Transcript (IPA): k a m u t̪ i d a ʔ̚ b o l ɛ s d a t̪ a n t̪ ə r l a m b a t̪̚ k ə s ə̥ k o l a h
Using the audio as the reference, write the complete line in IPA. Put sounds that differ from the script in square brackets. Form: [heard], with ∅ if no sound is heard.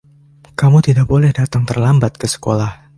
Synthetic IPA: k a m u t̪ i d a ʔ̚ b o l ɛ [h] d a t̪ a [ŋ] t̪ ə r l a m b a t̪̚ k ə s ə̥ k o l a h